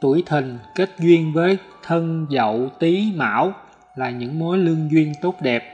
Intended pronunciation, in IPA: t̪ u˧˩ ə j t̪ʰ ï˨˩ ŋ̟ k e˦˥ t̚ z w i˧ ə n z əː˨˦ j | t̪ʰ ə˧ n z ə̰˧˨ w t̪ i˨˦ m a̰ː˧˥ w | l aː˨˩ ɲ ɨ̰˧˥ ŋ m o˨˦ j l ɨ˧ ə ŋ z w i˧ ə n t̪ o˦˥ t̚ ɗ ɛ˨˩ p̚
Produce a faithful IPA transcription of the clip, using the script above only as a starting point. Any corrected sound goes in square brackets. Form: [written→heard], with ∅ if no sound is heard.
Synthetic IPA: t̪ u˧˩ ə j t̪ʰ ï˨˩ ŋ̟ k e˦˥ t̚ z w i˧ ə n [z→v] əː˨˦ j | t̪ʰ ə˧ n z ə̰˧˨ w t̪ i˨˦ m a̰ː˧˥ w | l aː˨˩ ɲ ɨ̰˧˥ ŋ m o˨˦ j l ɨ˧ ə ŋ z w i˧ ə n t̪ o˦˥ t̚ ɗ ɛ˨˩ p̚

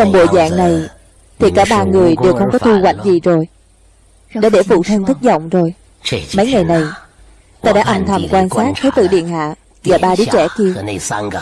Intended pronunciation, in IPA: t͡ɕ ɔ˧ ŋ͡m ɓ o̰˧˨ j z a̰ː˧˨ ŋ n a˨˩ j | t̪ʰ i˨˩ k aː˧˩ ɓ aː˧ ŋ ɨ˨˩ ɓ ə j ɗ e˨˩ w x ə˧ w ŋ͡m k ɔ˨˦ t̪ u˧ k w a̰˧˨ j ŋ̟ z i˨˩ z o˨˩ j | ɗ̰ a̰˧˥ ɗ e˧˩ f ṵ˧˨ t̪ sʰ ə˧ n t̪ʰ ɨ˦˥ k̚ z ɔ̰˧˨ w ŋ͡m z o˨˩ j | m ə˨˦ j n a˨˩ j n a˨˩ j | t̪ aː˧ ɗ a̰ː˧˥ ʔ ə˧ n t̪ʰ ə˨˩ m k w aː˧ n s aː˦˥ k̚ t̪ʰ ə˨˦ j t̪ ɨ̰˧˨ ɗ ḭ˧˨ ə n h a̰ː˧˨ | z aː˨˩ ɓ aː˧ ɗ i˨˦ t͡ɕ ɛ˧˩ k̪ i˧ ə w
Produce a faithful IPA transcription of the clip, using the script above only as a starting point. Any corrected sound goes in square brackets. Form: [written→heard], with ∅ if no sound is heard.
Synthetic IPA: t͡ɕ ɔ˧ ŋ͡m ɓ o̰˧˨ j z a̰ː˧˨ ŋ n a˨˩ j | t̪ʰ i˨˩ k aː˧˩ ɓ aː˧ ŋ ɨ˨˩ [ɓ→∅] ə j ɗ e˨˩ w x ə˧ w ŋ͡m k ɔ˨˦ t̪ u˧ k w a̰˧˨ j ŋ̟ z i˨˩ z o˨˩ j | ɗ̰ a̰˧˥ ɗ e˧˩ f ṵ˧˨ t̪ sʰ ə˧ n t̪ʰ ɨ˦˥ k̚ z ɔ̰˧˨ w ŋ͡m z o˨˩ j | m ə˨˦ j [n→ŋ] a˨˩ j n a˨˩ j | t̪ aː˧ ɗ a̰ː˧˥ ʔ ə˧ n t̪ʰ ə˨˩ m k w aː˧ n s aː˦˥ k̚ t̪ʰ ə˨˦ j t̪ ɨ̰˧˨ ɗ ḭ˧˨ ə n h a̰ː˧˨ | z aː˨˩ ɓ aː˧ ɗ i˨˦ t͡ɕ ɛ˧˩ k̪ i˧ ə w

